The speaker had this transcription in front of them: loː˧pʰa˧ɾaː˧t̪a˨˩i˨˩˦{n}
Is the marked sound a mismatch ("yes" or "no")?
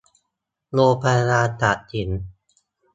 no